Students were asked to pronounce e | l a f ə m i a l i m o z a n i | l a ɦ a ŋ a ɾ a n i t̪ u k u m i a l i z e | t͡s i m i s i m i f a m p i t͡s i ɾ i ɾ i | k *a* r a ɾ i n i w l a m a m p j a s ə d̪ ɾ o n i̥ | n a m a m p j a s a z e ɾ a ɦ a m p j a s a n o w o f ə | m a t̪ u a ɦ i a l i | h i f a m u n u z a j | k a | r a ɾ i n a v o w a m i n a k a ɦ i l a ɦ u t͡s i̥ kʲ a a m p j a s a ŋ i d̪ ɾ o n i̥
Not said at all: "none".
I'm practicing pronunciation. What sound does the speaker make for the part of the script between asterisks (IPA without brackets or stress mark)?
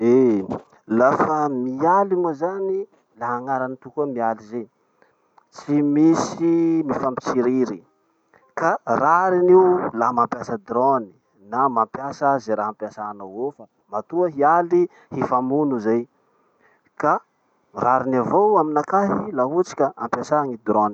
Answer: a